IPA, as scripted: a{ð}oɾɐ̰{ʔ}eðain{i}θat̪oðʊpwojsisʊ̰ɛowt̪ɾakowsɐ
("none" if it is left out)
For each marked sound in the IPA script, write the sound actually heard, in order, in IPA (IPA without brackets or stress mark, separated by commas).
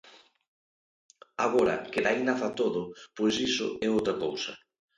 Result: ɣ, k, a